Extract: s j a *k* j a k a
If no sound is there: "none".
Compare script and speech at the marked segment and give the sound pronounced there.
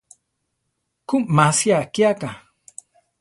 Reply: k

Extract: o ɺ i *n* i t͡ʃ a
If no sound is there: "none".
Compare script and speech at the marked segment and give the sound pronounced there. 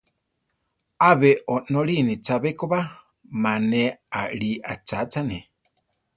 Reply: n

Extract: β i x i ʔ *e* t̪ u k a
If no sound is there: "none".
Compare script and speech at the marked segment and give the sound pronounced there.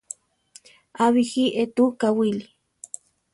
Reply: e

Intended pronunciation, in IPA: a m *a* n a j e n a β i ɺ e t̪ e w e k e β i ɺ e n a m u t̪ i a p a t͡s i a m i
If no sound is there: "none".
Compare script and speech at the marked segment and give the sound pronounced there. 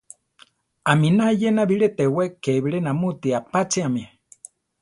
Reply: i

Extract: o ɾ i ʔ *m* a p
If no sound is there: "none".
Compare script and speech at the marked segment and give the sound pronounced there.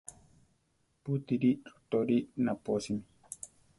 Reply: n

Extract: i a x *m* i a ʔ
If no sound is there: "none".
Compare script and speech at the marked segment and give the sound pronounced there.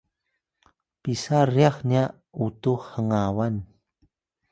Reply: n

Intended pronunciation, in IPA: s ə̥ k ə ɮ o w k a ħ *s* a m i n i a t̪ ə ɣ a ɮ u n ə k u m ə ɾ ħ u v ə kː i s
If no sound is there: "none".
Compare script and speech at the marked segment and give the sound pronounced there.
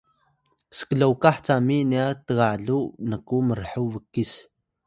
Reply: t͡s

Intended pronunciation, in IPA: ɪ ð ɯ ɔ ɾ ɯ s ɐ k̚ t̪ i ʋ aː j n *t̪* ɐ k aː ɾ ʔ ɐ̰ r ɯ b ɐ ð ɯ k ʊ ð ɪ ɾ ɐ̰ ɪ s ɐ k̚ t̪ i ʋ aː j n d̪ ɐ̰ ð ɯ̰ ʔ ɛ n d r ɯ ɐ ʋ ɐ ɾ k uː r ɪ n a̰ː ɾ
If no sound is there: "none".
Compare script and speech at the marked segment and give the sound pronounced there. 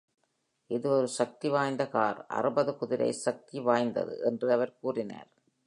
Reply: d̪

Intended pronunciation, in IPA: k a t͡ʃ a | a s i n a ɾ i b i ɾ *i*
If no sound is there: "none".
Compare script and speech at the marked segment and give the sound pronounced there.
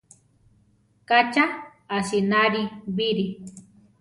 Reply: i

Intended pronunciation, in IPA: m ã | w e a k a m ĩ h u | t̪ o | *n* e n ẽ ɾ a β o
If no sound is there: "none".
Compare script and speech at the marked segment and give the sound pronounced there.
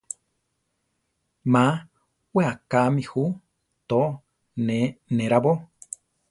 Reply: n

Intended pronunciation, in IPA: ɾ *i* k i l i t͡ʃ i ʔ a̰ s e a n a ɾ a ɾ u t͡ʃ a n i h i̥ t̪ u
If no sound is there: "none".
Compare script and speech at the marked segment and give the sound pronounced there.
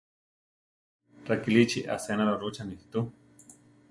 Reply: a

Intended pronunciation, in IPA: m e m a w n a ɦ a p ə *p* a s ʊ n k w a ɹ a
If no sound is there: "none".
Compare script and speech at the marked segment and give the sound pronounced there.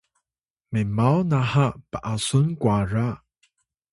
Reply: ʔ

